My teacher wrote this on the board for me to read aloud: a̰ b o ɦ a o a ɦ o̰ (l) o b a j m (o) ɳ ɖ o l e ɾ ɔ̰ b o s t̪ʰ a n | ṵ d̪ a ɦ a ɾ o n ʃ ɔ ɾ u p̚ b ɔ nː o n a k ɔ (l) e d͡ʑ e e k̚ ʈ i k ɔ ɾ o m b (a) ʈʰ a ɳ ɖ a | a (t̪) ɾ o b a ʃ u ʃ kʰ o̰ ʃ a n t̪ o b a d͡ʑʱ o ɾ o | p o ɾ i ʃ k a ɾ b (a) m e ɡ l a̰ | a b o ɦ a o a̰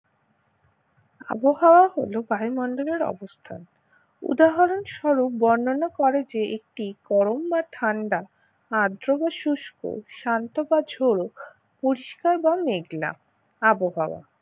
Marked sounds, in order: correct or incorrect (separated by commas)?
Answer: correct, incorrect, incorrect, correct, incorrect, correct